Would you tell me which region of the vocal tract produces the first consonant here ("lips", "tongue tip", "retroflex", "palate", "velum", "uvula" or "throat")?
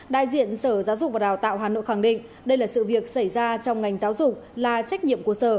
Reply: tongue tip